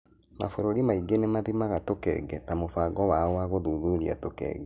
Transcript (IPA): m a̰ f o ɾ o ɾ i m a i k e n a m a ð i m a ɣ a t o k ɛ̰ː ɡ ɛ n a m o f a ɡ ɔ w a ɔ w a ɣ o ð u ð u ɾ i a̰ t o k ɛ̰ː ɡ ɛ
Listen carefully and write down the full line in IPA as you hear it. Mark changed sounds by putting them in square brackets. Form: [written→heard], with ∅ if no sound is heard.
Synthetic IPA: m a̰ f o ɾ o ɾ i m a i [k→ɡ] e n [a→e] m a ð i m a ɣ a t o k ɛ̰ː ɡ ɛ n a m o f a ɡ ɔ w a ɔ w a ɣ o ð u ð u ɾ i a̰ t o k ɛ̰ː ɡ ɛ